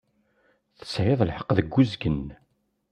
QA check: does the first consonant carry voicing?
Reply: no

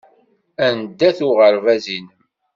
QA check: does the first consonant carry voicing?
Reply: yes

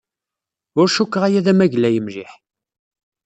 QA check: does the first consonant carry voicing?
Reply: yes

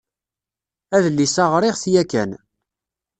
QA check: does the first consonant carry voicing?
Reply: yes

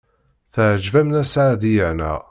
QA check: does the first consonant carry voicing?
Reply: no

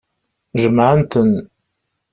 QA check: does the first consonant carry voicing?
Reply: yes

